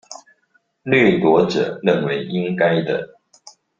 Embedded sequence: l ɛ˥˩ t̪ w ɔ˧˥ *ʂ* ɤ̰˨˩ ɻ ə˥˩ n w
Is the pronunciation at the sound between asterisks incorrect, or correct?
incorrect